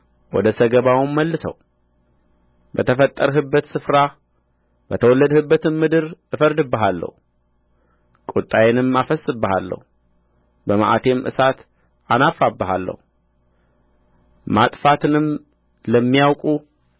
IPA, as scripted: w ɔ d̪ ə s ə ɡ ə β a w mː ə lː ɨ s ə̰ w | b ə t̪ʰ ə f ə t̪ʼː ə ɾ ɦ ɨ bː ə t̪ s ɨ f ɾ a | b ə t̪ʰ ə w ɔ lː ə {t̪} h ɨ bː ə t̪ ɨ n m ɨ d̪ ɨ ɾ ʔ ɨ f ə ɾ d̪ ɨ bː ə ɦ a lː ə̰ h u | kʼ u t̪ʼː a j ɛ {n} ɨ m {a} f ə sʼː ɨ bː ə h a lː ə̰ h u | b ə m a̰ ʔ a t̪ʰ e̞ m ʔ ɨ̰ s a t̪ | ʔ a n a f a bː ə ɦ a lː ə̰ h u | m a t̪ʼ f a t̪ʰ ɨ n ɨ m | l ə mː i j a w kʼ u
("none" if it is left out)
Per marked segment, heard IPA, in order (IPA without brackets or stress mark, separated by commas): d̪, n, a